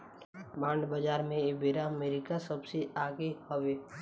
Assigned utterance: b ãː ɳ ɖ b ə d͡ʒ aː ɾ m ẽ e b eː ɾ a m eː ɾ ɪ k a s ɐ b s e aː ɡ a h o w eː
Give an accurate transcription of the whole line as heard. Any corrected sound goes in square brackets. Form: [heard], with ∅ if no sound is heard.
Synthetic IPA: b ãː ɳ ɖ b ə d͡ʒ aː ɾ m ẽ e b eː ɾ a m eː ɾ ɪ k a s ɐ b s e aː ɡ [e] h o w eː